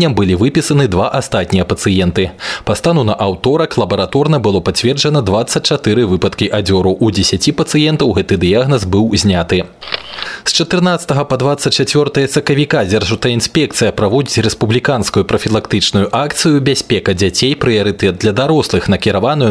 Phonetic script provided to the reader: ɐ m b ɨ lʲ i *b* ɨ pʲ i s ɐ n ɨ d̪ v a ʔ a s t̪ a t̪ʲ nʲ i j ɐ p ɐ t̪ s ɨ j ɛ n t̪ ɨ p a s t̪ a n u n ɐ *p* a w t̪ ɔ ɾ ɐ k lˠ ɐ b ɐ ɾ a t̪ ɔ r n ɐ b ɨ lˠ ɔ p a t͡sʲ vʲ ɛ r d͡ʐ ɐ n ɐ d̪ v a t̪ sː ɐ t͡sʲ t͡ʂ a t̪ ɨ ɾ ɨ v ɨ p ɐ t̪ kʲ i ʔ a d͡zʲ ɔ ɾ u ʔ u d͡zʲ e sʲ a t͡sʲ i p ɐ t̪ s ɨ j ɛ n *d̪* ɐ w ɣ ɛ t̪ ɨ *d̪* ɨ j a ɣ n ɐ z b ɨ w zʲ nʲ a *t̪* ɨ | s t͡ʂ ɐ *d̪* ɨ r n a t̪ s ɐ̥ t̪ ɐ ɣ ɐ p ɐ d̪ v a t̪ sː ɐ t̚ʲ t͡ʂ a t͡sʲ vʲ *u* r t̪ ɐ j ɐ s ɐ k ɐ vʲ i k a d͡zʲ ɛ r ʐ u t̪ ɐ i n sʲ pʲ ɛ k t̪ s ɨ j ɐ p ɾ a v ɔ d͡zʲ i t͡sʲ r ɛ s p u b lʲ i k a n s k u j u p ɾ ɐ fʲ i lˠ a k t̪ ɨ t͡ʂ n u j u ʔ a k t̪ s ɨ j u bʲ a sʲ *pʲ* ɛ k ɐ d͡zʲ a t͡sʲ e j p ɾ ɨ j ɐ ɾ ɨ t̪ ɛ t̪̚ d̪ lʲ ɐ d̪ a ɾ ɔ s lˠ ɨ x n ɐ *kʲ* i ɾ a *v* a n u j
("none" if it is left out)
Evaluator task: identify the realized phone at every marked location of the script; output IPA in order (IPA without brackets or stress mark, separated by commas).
v, ʔ, t̪, d̪, t̪, t̪, ɔ, pʲ, kʲ, v